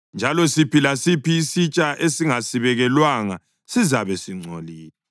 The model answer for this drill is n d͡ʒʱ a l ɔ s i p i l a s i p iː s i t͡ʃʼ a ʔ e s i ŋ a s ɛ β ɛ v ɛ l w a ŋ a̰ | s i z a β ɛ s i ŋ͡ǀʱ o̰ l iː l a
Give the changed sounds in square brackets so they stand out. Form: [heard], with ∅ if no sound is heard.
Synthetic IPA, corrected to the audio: n d͡ʒʱ a l ɔ s i p i l a s i p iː s i t͡ʃʼ a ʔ e s i ŋ a s [i] β ɛ [ɣ] ɛ l w a ŋ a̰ | s i z a β ɛ s i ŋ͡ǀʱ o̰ l iː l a